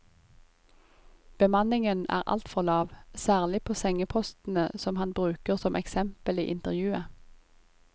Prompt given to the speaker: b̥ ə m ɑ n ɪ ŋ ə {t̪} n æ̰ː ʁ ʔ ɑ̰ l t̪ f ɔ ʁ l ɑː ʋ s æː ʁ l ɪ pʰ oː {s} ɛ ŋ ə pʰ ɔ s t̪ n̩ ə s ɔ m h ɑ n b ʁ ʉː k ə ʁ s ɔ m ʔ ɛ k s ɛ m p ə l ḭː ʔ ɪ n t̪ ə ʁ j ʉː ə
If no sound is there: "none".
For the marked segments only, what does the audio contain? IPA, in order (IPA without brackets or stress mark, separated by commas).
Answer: none, s